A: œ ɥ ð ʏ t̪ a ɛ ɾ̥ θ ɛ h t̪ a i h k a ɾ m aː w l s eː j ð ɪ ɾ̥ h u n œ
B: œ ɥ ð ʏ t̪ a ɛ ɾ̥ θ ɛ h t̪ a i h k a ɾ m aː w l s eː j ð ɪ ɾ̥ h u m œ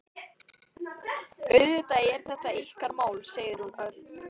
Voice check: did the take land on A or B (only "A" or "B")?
A